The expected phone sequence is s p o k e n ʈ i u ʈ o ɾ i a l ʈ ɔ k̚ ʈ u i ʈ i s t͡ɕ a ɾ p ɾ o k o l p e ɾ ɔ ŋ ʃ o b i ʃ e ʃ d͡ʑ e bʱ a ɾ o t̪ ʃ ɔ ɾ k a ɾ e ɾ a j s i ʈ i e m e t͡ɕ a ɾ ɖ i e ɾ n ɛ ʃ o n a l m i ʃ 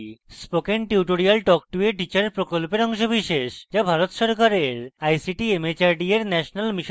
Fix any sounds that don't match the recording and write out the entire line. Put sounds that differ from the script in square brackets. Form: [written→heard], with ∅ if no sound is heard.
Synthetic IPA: s p o k e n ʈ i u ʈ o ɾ i a l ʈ ɔ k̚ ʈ u [i→e] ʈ i [s→∅] t͡ɕ a ɾ p ɾ o k o l p e ɾ ɔ ŋ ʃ o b i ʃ e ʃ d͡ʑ [e→a] bʱ a ɾ o t̪ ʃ ɔ ɾ k a ɾ e ɾ a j s i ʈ i e m e t͡ɕ a ɾ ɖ i e ɾ n ɛ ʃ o n a l m i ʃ